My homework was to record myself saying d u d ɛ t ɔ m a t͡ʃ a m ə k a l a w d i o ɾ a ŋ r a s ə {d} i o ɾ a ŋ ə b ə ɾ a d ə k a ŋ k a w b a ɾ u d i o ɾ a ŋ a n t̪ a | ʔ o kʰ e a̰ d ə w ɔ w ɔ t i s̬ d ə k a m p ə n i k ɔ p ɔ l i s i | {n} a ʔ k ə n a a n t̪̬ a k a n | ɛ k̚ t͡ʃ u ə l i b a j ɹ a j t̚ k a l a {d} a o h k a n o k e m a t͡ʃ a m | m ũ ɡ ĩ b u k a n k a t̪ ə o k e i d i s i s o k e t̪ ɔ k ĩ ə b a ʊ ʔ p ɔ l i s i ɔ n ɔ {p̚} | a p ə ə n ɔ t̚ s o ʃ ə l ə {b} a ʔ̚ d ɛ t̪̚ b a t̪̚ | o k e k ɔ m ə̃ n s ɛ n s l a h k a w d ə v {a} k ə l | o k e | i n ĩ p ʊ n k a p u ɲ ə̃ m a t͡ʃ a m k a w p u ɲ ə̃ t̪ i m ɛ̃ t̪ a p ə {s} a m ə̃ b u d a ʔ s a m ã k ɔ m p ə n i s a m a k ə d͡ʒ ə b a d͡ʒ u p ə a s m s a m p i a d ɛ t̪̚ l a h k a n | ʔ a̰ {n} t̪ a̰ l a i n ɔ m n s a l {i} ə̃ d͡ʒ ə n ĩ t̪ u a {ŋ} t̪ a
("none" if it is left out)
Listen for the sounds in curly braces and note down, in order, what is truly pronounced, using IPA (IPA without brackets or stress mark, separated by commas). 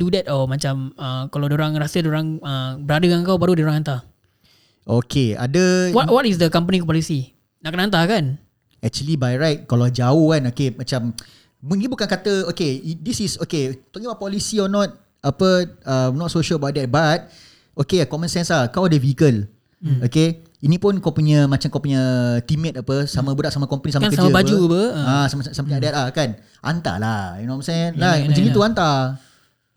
d, n, d͡ʒ, t̚, b, i, s, n, a, n